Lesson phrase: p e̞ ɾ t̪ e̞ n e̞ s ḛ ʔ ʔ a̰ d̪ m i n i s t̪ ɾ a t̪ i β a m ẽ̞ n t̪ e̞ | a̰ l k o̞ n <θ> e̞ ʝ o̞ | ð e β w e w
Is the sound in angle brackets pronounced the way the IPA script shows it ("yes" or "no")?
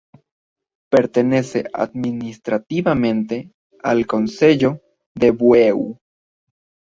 no